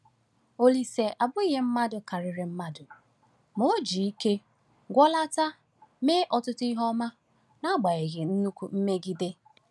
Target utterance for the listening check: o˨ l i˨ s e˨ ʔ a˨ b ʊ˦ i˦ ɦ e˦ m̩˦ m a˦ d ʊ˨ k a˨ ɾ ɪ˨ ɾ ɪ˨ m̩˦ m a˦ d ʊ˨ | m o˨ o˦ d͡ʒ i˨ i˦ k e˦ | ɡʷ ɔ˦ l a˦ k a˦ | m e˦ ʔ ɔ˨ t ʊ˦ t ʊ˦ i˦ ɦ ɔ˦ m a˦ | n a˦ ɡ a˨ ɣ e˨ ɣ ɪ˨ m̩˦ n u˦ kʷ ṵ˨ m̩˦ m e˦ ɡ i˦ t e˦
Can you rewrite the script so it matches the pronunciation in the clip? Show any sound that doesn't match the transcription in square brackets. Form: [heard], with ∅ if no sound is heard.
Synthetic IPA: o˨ l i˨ s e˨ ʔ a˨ b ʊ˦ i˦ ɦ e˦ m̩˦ m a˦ d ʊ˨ k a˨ ɾ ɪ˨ ɾ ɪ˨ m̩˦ m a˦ d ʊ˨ | m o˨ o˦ d͡ʒ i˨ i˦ k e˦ | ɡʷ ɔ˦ l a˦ [t] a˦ | m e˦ ʔ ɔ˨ t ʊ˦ t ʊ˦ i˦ ɦ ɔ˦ m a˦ | n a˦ [ɡ͡b] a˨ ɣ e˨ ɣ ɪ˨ [n̩˦] n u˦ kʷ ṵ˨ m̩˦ m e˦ ɡ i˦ [d] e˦